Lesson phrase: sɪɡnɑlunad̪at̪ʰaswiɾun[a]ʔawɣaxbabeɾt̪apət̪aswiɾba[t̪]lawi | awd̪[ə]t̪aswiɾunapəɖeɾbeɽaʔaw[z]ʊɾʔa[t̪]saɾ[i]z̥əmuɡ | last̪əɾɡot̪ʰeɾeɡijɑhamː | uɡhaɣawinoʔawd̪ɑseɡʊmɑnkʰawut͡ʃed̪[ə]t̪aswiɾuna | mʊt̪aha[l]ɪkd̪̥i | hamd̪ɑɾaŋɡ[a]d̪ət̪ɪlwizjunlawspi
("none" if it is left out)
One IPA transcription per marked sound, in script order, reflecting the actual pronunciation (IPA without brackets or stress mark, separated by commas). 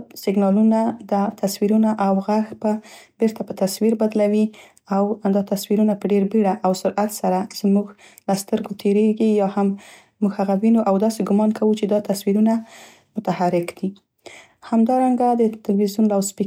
a, d̪, ɑ, s, t̪, a, ɑ, ɾ, a